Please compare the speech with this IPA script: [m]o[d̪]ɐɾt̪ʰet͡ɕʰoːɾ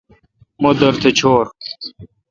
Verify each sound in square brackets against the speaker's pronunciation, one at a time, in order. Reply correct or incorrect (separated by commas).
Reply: correct, correct